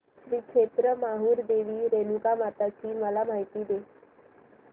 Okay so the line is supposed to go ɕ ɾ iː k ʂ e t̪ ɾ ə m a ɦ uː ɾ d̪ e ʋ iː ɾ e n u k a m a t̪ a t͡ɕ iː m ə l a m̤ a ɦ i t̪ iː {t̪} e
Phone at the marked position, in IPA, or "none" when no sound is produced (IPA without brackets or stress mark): d̪